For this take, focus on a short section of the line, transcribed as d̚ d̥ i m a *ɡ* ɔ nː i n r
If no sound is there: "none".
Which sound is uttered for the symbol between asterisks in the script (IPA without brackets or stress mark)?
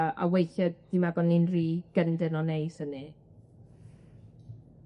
ɡ